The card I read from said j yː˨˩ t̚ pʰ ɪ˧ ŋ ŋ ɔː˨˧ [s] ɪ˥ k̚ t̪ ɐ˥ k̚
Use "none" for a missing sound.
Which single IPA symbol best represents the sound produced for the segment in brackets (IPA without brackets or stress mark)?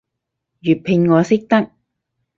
s